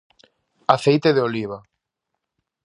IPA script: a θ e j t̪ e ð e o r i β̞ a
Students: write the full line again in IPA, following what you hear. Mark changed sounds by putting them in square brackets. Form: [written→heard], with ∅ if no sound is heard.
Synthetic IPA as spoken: a θ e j t̪ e ð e o [r→l] i β̞ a